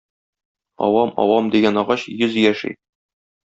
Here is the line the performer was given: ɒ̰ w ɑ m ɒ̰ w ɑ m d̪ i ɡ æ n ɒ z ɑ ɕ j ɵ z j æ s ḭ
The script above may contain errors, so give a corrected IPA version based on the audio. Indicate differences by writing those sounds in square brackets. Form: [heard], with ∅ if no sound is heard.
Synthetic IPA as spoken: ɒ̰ w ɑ m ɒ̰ w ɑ m d̪ i ɡ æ n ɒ [ʁ] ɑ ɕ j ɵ z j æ [ʃ] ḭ